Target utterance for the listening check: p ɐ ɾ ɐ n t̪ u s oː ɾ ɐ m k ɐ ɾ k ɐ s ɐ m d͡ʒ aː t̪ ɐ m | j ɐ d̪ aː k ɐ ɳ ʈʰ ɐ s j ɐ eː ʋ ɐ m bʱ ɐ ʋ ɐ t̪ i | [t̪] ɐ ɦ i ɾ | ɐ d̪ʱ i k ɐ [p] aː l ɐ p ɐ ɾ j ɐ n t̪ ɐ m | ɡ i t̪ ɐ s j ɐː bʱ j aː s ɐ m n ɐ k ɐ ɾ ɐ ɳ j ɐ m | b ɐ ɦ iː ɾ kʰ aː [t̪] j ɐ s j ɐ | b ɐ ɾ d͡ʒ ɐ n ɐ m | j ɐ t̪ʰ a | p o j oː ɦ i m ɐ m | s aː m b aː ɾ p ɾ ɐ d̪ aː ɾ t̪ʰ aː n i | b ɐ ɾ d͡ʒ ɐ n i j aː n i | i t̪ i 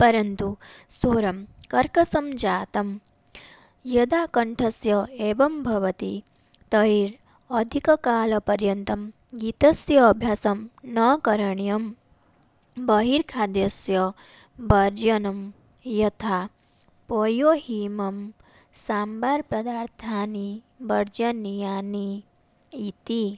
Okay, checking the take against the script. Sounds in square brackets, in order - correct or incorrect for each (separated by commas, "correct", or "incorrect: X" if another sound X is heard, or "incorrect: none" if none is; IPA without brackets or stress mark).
correct, incorrect: k, incorrect: d̪